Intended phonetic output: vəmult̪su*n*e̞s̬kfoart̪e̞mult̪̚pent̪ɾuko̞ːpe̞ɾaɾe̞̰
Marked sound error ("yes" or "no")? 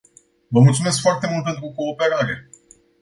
yes